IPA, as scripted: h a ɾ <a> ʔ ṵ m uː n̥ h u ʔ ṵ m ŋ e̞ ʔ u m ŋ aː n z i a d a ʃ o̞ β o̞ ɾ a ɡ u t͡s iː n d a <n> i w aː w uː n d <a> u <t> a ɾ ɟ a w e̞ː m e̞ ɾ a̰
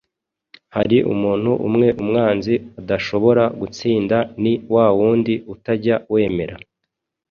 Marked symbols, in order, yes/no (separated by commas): no, yes, no, yes